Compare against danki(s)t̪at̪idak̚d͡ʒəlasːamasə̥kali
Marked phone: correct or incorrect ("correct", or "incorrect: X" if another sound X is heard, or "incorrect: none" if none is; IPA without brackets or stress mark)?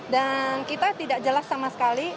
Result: incorrect: none